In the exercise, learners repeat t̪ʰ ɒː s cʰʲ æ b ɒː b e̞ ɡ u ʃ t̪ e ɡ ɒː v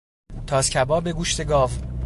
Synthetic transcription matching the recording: t̪ʰ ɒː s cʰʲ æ b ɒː b e̞ ɡ u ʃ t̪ e ɡ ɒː v